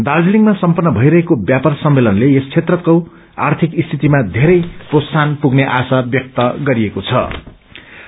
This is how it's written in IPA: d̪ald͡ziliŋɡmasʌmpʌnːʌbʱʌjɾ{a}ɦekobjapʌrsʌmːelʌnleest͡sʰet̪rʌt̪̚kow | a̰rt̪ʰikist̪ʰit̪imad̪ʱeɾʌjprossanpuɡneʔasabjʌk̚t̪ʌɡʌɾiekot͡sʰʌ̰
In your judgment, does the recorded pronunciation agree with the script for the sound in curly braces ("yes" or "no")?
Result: no